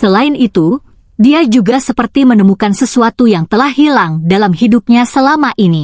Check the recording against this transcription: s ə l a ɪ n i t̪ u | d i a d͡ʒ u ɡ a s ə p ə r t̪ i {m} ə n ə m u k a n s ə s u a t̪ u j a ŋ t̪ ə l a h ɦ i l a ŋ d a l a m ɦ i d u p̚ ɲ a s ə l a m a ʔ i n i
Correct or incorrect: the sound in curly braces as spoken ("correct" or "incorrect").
correct